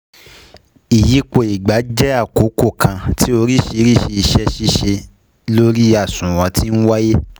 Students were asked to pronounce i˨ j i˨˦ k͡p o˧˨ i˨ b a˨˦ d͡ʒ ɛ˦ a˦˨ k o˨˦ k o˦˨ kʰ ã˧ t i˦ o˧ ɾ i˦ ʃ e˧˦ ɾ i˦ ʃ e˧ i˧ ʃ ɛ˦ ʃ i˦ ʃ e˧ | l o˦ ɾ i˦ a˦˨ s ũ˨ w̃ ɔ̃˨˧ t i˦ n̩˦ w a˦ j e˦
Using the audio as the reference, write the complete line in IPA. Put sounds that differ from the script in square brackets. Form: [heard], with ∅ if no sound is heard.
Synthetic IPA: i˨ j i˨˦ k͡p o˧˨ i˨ [ɡ͡b] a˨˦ d͡ʒ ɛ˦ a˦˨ k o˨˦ k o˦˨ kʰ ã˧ t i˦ o˧ ɾ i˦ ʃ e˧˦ ɾ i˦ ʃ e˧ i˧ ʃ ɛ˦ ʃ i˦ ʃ e˧ | l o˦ ɾ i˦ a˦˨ s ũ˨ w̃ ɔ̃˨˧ t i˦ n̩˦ w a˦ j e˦